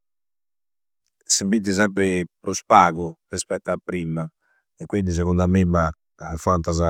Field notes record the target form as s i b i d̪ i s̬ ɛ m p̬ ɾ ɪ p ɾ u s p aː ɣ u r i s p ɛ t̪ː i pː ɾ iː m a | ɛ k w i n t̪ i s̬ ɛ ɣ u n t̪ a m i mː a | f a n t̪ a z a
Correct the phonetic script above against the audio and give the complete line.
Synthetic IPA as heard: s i b i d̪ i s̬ ɛ m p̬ ɾ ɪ p ɾ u s p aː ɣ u r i s p ɛ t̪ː a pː ɾ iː m a | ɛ k w i n d̪ i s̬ ɛ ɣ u n d̪ a m i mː a | f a n t̪ a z a